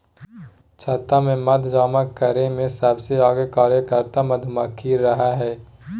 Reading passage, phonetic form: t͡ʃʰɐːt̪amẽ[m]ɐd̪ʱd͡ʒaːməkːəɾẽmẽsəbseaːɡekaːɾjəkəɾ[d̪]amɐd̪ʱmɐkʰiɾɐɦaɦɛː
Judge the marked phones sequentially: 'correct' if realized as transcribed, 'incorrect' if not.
correct, incorrect

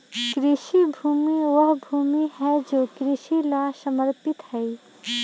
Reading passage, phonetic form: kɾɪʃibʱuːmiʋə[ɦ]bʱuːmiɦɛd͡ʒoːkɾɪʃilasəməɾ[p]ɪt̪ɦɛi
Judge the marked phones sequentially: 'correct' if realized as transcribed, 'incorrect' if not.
correct, correct

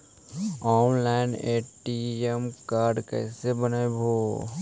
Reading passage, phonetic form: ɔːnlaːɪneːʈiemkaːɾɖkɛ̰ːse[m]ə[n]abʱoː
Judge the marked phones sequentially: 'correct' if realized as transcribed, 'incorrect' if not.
incorrect, correct

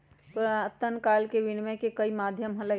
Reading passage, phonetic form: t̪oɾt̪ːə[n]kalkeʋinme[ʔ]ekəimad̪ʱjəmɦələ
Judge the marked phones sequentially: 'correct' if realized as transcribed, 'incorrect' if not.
correct, incorrect

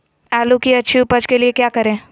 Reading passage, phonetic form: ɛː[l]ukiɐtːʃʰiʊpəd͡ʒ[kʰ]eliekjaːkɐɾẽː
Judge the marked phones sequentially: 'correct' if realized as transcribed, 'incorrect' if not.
correct, incorrect

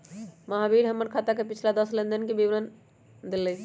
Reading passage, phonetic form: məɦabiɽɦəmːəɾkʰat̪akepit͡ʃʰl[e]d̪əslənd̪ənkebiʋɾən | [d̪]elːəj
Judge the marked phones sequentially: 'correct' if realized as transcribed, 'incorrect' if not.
incorrect, correct

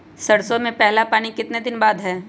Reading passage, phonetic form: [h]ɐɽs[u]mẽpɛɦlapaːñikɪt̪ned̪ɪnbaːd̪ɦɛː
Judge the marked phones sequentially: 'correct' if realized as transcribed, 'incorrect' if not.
incorrect, incorrect

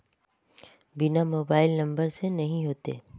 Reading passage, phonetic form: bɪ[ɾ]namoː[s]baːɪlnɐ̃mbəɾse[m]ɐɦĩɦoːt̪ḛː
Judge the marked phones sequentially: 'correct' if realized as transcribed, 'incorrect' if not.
incorrect, incorrect, incorrect

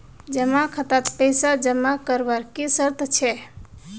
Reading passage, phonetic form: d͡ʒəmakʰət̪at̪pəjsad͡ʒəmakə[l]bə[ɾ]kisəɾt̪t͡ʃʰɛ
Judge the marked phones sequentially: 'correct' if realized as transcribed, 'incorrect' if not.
incorrect, correct

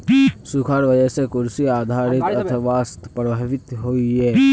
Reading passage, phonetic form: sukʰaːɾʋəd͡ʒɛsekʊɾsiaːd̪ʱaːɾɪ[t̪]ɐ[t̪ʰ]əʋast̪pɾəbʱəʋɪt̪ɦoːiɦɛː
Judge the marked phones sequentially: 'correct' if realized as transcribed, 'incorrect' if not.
correct, correct

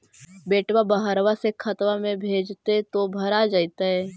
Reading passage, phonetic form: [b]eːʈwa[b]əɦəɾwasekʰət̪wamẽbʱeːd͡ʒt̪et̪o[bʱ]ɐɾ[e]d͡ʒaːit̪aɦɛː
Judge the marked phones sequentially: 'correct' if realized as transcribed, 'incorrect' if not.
correct, correct, correct, incorrect

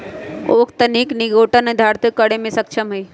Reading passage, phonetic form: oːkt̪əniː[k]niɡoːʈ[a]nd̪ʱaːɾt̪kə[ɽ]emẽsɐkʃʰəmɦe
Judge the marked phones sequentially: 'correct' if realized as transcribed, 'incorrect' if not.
correct, incorrect, correct

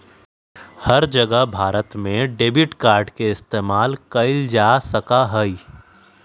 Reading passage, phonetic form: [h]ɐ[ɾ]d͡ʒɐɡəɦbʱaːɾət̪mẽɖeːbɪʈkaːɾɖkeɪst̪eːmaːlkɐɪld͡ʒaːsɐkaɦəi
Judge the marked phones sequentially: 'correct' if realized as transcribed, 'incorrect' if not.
correct, correct

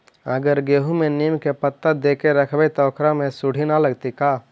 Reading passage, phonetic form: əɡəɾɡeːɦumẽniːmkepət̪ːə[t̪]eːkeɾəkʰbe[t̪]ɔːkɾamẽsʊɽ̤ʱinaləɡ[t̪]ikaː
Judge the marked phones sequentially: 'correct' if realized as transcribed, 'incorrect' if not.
incorrect, correct, correct

